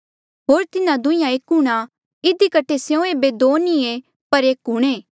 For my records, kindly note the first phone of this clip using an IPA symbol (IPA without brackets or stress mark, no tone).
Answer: ɦ